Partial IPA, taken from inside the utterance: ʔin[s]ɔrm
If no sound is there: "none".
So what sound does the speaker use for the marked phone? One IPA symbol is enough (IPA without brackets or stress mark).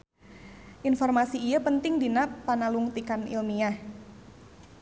f